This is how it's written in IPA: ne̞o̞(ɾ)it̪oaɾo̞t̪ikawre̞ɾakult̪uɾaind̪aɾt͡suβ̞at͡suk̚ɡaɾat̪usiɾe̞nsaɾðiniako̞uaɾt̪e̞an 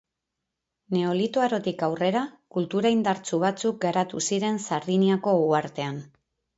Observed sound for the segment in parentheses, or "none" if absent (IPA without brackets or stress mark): l